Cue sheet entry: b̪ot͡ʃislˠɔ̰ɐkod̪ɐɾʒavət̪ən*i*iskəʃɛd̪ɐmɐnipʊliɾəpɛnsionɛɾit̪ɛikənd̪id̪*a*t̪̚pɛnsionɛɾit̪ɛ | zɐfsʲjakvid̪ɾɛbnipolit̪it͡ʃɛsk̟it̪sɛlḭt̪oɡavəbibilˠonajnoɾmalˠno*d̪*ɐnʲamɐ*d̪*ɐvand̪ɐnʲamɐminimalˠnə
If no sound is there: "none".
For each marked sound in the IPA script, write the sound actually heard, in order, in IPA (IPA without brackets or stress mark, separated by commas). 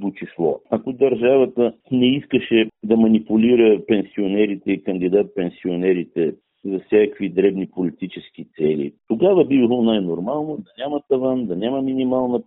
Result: ɛ, a, d̪, t̪